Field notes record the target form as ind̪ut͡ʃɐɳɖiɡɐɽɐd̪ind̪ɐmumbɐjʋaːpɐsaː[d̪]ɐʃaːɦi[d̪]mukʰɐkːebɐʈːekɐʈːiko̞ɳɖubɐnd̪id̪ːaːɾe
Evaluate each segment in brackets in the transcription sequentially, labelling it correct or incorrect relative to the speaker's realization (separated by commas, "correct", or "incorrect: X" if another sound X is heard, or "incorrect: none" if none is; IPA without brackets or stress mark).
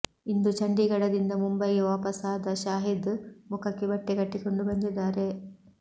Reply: correct, correct